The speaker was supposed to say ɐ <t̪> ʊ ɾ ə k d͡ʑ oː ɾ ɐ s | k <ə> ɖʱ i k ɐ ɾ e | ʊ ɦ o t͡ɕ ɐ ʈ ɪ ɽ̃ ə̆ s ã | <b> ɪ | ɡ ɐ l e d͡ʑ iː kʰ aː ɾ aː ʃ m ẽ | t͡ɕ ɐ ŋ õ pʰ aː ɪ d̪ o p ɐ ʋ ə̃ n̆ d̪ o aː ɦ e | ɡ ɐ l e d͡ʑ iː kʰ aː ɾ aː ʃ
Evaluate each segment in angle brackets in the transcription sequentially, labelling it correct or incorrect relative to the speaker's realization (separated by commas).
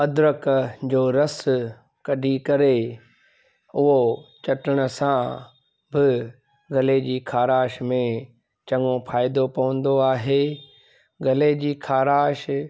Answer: incorrect, incorrect, correct